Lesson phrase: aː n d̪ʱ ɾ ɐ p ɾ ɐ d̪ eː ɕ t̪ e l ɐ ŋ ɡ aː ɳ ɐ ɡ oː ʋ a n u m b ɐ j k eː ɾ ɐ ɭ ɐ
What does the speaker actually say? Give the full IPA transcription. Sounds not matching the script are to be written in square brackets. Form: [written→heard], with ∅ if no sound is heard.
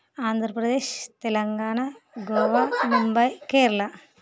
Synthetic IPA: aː n d̪ʱ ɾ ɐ p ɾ ɐ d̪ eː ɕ t̪ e l ɐ ŋ ɡ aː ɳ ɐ ɡ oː ʋ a [n→m] u m b ɐ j k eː ɾ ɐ ɭ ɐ